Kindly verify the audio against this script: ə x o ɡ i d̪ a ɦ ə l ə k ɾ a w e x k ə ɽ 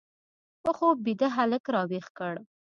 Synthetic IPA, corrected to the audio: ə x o b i d̪ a ɦ a l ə k ɾ ɑ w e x k ə ɽ

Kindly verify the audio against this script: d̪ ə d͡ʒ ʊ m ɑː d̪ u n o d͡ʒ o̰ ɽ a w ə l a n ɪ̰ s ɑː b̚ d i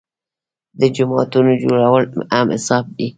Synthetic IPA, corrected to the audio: d̪ ə d͡ʒ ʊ m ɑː t̪ u n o d͡ʒ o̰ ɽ a w ə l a m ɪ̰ s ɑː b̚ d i

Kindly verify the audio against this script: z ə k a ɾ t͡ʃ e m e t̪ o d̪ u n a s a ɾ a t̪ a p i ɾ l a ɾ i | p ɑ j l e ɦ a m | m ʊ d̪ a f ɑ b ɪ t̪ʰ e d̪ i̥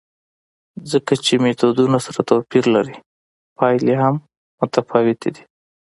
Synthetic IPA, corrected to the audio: z ə k a t͡ʃ e m e t̪ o d̪ u n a s a ɾ a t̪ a p i ɾ l a ɾ i | p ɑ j l e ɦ a m | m ʊ t̪ a f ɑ w ɪ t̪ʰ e d̪ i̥

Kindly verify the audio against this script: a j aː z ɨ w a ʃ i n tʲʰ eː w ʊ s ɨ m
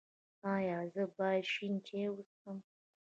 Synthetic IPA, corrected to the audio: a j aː z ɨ b a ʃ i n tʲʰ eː w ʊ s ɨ m

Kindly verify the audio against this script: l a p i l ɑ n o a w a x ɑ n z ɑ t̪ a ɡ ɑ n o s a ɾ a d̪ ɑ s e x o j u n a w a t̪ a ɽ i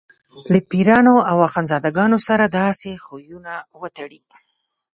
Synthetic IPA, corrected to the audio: l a p i ɾ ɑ n o a w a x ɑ n z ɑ d̪ a ɡ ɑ n o s a ɾ a d̪ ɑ s e x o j u n a w ə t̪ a ɽ i

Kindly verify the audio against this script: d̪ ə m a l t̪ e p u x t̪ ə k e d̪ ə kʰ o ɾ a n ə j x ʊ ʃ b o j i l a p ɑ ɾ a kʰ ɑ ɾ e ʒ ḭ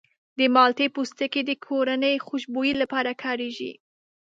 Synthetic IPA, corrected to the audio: d̪ ə m ɑ l t̪ e p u s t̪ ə k e d̪ ə kʰ o ɾ a n ə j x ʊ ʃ b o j i l a p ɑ ɾ a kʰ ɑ ɾ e ʒ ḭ

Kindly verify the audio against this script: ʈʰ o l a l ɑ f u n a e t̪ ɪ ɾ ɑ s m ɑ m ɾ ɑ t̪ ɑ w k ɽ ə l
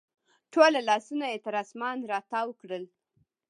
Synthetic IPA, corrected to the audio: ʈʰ o l a l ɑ s u n a e t̪ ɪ ɾ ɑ s m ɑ n ɾ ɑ t̪ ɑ w k ɽ ə l

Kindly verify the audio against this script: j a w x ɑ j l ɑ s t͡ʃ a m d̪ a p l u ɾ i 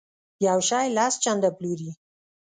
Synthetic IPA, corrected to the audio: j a w ʃ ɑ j l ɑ s t͡ʃ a n d̪ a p l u ɾ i

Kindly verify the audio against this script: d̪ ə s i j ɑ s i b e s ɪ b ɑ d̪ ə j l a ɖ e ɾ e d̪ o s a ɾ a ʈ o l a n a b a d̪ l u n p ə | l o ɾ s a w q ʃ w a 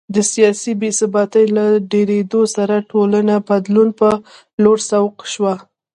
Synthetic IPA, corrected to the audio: d̪ ə s i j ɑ s i b e s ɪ b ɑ t̪ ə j l a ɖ e ɾ e d̪ o s a ɾ a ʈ o l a n a b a d̪ l u n p ə | l o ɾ s a w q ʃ w a

